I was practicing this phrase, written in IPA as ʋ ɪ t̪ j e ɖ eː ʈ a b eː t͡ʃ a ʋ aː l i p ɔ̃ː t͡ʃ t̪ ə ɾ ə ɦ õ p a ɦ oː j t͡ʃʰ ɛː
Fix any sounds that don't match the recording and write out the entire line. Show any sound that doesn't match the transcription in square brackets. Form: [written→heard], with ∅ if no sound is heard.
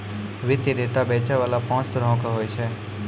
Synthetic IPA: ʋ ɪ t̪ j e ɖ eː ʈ a b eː t͡ʃ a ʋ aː l [i→a] p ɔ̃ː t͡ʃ t̪ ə ɾ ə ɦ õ [p→k] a ɦ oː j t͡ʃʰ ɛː

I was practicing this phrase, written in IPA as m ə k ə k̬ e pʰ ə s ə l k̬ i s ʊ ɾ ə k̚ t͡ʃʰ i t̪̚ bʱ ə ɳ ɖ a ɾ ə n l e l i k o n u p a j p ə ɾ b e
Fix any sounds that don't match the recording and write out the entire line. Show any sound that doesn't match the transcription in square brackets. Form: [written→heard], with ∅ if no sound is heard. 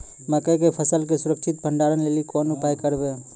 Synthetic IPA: m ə k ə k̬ e pʰ ə s ə l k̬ [i→e] s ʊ ɾ ə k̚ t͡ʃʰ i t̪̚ bʱ ə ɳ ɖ a ɾ ə n l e l i k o n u p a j [p→k] ə ɾ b e

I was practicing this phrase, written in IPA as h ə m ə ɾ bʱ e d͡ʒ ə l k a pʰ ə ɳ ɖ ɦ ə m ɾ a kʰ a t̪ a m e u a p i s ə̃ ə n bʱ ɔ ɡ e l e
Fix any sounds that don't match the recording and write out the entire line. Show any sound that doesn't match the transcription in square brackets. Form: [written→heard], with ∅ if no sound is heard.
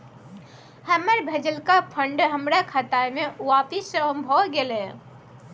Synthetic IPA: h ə m ə ɾ bʱ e d͡ʒ ə l k a pʰ ə ɳ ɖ ɦ ə m ɾ a kʰ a t̪ a m e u a p i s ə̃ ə [n→m] bʱ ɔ ɡ e l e

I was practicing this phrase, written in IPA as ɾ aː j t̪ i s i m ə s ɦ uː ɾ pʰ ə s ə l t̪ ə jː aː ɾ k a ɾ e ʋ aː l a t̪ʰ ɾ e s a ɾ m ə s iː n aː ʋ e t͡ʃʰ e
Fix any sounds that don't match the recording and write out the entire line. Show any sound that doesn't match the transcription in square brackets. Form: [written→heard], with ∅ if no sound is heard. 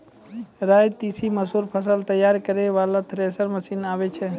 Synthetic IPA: ɾ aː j t̪ i s i m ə s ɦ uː ɾ pʰ ə s ə l t̪ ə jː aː ɾ k [a→ə] ɾ e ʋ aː l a t̪ʰ ɾ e s [a→ə] ɾ m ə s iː n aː ʋ e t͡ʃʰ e

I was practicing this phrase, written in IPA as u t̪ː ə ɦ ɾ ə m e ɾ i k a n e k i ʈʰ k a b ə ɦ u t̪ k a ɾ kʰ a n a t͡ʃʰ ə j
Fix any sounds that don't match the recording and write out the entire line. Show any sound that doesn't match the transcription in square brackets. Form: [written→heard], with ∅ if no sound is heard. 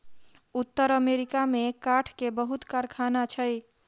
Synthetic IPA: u t̪ː ə [ɦ→∅] ɾ ə m e ɾ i k a [n→m] e k [i→a] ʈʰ k [a→e] b ə ɦ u t̪ k a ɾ kʰ a n a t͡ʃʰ ə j

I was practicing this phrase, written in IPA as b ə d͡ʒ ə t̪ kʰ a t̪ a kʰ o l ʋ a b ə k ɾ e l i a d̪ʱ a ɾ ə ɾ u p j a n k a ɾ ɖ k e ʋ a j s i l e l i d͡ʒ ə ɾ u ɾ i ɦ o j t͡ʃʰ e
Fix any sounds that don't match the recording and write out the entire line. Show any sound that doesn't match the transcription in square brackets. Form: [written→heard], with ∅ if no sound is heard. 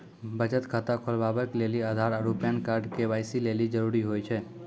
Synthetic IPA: b ə d͡ʒ ə t̪ kʰ a t̪ a kʰ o l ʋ a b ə k [ɾ→l] e l i a d̪ʱ a ɾ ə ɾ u p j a n k a ɾ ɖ k e ʋ a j s i l e l i d͡ʒ ə ɾ u ɾ i ɦ o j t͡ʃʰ e

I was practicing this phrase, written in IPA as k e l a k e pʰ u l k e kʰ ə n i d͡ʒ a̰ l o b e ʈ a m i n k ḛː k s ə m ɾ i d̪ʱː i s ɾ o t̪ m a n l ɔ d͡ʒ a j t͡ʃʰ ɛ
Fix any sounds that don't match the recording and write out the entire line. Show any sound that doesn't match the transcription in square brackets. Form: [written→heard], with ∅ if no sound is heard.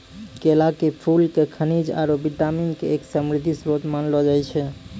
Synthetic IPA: k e l a k e pʰ u l k e kʰ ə n i d͡ʒ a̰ [l→ɾ] o b [e→i] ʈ a m i n k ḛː k s ə m ɾ i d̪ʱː i s ɾ o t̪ m a n l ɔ d͡ʒ a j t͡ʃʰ ɛ

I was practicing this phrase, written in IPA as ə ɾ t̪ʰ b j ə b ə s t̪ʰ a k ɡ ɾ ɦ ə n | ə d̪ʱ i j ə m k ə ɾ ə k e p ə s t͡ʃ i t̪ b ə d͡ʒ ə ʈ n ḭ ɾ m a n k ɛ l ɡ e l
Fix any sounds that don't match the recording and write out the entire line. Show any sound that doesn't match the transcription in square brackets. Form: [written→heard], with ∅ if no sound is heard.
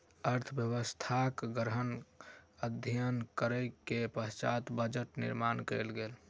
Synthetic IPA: ə ɾ t̪ʰ b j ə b ə s t̪ʰ a k ɡ ɾ ɦ ə n | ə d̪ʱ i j ə [m→n] k ə ɾ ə k e p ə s t͡ʃ [i→a] t̪ b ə d͡ʒ ə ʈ n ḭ ɾ m a n k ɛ l ɡ e l

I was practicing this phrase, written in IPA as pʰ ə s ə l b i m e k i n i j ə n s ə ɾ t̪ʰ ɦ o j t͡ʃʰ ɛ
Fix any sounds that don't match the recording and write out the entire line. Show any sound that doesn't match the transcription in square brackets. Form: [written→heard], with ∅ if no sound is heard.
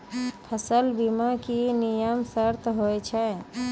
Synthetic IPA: pʰ ə s ə l b i m [e→a] k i n i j ə [n→m] s ə ɾ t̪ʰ ɦ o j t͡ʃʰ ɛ

